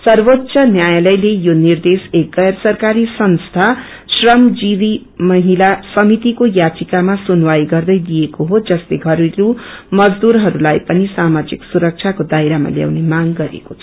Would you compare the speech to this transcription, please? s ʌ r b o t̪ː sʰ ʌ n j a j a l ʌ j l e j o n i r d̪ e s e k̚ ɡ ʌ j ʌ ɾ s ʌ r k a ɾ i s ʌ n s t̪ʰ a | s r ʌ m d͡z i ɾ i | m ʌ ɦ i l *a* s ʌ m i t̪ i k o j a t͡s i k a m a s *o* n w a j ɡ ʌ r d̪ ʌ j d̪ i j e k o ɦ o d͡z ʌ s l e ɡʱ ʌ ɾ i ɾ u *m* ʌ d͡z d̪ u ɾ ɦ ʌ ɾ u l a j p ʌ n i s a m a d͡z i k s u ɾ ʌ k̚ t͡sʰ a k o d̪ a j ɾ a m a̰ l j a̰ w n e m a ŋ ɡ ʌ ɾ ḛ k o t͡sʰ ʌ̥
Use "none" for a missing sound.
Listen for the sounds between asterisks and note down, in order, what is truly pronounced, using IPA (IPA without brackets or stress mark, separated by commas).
a, u, m